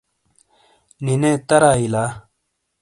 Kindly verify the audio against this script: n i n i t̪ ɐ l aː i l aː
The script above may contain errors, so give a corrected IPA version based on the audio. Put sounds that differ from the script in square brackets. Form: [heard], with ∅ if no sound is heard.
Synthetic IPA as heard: n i n [e] t̪ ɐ [ɾ] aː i l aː